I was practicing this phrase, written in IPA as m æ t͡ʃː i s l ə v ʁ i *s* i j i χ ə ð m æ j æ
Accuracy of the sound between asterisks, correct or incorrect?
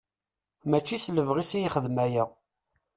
correct